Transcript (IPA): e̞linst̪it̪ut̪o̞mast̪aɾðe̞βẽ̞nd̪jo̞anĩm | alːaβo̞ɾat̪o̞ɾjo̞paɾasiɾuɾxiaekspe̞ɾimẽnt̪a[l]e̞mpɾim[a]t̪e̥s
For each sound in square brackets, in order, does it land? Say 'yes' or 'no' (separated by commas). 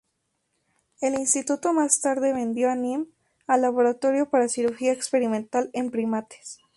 yes, yes